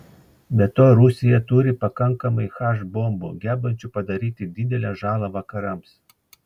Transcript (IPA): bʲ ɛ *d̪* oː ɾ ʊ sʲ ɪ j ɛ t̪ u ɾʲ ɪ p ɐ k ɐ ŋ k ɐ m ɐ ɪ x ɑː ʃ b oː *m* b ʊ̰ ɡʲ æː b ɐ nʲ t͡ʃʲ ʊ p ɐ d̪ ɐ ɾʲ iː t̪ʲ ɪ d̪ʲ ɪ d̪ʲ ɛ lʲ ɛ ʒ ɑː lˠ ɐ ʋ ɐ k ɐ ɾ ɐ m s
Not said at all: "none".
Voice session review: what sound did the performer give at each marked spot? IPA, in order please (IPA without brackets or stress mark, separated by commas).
t̪, m